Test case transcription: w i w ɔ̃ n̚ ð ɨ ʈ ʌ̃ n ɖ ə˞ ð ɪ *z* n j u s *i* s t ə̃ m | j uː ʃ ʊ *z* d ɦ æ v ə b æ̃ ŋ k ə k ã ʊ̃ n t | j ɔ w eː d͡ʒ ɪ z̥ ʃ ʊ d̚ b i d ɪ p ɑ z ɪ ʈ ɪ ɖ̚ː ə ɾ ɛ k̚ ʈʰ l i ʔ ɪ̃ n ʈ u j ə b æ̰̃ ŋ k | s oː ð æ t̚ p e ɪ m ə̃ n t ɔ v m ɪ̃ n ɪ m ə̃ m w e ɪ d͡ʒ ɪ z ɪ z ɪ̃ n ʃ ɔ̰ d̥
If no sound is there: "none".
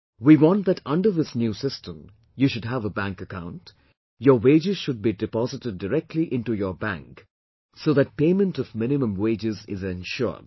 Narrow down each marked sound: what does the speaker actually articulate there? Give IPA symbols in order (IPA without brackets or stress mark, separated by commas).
s, ɪ, none